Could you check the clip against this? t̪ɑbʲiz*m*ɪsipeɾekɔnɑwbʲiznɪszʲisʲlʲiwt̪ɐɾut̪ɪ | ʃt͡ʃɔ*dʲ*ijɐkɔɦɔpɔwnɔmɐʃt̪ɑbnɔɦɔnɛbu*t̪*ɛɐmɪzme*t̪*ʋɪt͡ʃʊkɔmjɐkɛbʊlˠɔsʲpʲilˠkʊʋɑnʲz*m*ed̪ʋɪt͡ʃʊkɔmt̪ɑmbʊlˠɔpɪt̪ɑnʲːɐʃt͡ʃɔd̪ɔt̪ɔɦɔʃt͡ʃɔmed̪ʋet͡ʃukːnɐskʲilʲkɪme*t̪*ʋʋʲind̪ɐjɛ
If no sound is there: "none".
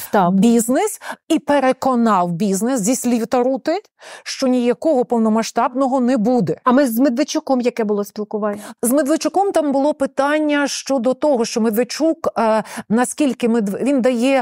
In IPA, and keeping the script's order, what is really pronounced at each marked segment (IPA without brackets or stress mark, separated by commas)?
n, nʲ, d̪, d̪, m, d̪